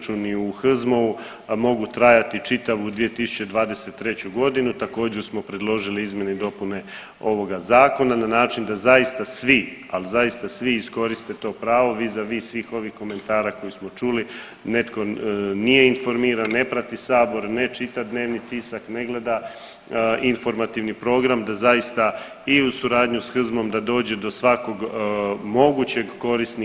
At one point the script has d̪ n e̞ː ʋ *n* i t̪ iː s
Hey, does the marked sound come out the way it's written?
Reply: yes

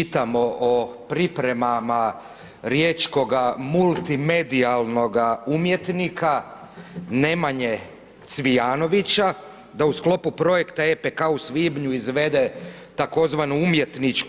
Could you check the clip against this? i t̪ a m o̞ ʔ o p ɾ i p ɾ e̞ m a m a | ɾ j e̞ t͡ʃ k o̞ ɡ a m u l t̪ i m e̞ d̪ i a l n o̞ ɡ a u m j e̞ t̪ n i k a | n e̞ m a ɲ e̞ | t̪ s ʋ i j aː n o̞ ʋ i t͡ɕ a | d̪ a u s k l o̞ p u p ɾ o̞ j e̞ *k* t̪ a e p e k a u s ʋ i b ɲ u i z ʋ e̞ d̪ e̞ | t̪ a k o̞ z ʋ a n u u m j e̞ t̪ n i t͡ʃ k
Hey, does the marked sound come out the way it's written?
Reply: yes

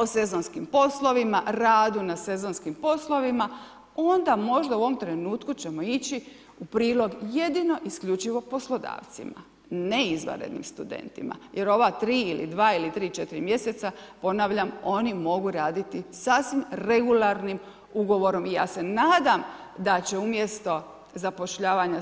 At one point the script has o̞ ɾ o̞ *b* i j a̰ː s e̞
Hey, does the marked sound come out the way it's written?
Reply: no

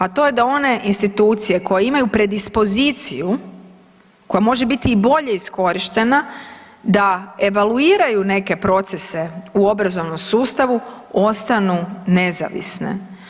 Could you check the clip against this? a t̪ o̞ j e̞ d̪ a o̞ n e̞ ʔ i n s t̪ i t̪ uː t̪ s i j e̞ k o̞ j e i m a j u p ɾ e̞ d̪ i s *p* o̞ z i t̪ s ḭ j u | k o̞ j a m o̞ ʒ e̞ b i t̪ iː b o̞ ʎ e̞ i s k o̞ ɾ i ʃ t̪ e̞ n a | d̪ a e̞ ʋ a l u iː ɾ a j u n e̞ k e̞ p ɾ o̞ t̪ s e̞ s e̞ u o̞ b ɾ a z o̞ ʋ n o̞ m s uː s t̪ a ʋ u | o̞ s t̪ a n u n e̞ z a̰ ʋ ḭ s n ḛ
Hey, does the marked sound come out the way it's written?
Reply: yes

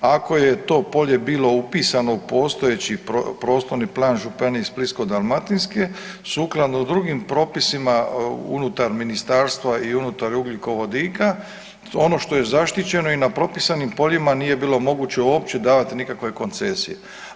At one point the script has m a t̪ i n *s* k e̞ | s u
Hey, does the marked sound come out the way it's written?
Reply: yes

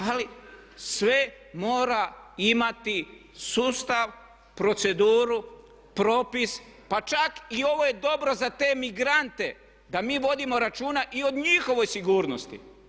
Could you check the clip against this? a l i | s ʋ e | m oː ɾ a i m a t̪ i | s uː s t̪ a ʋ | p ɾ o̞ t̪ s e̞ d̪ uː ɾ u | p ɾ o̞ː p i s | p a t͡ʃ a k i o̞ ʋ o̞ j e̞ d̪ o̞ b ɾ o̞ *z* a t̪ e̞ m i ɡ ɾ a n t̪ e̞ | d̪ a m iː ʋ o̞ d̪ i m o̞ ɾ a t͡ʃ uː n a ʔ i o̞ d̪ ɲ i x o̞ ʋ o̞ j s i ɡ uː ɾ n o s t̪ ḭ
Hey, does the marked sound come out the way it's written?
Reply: yes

